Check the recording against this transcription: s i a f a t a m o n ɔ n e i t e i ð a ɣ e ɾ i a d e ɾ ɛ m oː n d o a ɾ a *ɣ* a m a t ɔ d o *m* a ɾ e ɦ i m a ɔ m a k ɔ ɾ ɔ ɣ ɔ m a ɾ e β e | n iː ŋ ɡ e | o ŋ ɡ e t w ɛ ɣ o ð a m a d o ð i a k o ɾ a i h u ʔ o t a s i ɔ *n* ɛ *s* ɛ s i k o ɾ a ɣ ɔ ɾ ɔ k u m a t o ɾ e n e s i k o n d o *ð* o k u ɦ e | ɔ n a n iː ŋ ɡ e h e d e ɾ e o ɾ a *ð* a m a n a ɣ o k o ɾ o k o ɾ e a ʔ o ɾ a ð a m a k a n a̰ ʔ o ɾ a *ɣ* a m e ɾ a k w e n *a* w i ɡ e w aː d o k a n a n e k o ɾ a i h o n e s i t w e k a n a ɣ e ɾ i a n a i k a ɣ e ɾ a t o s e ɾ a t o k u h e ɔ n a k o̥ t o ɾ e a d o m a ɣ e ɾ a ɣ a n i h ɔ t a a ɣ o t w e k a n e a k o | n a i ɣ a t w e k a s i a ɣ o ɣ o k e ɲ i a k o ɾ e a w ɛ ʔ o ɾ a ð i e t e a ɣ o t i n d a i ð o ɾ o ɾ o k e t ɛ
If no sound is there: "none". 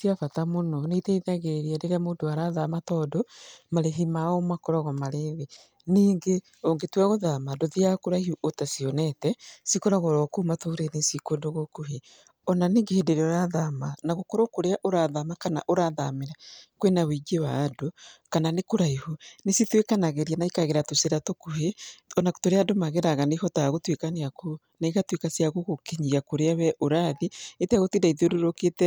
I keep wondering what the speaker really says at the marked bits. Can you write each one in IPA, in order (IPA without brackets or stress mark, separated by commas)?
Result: ð, m, n, t, ɣ, ð, ð, a